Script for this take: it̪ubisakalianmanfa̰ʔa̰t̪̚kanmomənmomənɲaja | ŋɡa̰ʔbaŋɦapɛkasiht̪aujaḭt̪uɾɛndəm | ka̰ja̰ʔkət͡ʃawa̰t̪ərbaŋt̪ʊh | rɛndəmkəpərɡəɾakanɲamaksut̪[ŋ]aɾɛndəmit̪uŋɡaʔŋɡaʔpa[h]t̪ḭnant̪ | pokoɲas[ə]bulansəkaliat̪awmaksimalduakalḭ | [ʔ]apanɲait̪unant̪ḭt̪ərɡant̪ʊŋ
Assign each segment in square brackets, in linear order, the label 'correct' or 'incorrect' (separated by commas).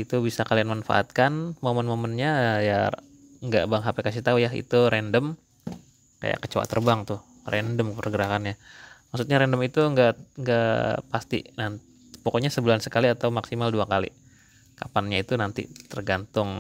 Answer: incorrect, incorrect, correct, incorrect